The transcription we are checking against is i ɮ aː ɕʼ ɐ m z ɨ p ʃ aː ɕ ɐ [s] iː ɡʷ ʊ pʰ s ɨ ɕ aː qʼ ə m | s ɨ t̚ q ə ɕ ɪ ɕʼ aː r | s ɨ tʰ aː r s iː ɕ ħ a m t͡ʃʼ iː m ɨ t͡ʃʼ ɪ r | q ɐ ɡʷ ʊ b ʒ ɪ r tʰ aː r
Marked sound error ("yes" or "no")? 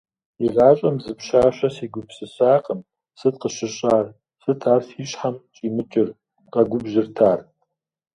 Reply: no